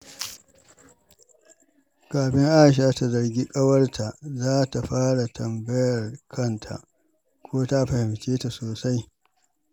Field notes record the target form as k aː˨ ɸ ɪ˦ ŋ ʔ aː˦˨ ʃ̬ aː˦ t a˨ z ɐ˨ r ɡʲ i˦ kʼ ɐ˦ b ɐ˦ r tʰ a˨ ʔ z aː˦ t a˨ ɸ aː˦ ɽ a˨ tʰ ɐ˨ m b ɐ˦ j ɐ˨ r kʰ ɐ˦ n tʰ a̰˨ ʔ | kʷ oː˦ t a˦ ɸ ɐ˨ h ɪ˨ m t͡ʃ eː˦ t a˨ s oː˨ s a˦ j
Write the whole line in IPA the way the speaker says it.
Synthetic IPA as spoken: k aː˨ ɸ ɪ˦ ŋ ʔ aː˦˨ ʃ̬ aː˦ t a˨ z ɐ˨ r ɡʲ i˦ kʼ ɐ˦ w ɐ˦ r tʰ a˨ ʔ z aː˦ t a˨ ɸ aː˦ ɽ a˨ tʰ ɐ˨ m b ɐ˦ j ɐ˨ r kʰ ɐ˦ n tʰ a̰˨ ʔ | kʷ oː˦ t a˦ ɸ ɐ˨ h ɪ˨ m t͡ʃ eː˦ t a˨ s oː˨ s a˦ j